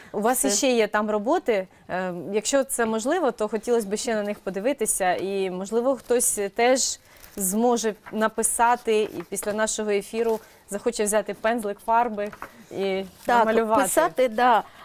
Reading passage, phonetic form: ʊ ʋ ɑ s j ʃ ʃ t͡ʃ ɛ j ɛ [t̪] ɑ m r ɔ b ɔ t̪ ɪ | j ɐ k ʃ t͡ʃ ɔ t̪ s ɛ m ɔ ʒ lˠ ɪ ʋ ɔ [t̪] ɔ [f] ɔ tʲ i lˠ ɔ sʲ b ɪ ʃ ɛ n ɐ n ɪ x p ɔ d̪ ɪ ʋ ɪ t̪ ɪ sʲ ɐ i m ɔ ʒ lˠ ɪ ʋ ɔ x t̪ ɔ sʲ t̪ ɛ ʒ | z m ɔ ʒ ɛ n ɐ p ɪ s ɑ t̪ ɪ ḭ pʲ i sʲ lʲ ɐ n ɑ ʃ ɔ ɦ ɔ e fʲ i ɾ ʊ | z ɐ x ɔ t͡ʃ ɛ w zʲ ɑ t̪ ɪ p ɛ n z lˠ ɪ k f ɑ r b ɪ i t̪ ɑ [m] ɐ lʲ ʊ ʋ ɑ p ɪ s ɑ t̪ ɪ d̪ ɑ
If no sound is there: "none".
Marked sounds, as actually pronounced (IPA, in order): t̪, t̪, x, m

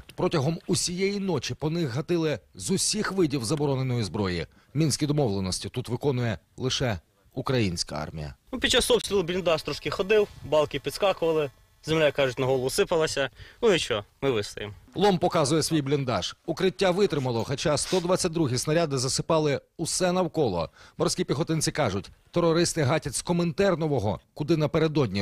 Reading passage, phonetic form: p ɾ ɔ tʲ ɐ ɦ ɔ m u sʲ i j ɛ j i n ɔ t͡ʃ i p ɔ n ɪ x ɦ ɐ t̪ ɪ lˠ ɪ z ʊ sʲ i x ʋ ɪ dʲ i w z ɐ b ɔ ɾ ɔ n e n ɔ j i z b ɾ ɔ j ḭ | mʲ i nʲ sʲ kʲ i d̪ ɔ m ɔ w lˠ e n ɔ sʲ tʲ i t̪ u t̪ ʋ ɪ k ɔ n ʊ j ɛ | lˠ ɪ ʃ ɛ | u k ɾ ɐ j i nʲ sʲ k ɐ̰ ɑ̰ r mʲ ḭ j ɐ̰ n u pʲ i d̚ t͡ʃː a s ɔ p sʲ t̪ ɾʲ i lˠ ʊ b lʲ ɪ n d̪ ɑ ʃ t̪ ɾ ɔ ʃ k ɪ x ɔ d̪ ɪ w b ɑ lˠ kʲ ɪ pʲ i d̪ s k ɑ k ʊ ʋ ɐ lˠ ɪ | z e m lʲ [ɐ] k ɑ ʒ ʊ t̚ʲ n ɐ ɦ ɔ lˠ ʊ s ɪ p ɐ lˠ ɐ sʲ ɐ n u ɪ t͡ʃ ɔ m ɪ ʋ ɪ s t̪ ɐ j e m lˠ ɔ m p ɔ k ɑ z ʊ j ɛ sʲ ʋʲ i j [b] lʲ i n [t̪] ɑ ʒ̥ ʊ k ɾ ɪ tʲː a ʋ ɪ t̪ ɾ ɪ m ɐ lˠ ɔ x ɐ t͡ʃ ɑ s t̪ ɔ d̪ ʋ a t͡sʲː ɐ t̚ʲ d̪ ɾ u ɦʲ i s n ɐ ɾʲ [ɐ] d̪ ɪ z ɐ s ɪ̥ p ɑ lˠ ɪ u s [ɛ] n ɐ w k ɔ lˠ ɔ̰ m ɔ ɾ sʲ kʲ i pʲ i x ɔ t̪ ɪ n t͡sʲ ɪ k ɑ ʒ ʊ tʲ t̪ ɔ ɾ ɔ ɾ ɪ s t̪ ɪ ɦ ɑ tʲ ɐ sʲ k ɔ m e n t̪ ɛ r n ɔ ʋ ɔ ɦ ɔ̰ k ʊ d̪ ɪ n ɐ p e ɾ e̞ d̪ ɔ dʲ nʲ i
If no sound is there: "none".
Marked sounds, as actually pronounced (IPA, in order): a, b, d̪, a, ɛ

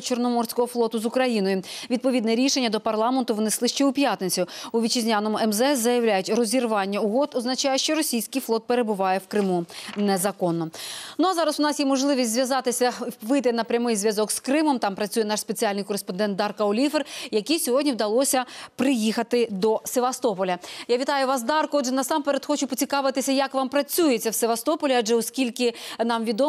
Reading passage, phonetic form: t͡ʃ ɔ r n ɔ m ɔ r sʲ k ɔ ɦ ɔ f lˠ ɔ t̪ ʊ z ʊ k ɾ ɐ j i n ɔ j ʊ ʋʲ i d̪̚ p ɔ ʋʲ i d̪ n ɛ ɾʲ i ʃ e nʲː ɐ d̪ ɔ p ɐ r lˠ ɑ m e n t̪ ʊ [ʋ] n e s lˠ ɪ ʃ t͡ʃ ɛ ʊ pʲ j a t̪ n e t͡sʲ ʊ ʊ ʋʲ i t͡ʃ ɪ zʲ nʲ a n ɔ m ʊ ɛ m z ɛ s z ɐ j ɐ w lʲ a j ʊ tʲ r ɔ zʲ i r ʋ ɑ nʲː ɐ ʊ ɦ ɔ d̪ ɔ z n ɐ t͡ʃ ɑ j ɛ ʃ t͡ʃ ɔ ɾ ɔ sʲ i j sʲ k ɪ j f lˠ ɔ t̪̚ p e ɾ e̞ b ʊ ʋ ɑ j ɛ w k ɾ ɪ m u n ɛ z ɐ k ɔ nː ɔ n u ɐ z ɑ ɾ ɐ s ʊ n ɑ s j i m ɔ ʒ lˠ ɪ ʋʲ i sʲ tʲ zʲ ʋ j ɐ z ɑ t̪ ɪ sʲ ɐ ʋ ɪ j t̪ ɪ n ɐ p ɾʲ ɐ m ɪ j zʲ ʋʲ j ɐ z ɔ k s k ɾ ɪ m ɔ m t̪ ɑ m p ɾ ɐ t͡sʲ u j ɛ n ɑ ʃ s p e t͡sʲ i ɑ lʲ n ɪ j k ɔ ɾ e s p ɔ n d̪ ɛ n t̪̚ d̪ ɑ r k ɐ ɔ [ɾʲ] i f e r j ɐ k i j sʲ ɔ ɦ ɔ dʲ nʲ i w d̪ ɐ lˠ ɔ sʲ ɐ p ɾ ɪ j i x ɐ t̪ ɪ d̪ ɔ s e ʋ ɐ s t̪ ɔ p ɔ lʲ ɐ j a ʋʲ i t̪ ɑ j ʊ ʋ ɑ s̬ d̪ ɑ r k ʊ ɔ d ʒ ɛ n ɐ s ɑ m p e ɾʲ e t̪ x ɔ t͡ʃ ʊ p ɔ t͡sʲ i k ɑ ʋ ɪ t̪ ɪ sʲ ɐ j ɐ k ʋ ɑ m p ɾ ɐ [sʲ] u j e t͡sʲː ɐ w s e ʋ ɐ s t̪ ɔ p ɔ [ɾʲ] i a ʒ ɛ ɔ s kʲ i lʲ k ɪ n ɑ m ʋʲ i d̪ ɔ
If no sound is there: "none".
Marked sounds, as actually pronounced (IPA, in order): ʋ, lʲ, t͡sʲ, lʲ

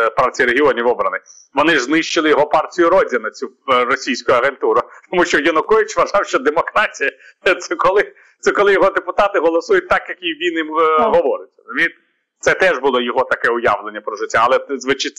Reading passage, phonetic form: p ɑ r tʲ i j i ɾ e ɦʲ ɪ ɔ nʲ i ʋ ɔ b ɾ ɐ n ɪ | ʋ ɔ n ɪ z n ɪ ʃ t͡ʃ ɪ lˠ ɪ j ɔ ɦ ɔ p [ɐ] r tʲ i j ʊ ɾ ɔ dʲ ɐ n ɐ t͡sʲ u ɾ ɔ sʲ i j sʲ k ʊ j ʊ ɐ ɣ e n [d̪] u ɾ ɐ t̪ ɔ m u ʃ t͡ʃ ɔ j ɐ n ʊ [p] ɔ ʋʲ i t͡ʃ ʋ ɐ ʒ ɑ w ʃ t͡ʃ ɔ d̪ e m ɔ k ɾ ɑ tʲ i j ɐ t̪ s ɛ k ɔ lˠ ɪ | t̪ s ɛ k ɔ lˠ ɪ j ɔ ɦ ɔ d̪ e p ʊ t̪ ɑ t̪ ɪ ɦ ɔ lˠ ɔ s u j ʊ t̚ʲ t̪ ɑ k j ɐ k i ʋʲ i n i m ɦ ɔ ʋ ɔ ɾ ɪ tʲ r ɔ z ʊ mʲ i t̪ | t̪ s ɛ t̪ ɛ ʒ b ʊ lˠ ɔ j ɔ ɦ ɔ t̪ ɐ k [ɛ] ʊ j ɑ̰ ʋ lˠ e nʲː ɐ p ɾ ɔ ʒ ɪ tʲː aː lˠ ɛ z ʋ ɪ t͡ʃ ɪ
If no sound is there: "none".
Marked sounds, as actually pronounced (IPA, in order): ɑ, t̪, k, ɛ

